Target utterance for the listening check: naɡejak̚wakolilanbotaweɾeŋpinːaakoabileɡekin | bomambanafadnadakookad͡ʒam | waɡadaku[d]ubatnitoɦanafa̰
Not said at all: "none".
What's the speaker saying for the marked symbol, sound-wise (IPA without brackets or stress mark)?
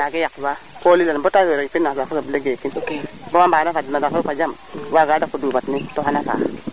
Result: d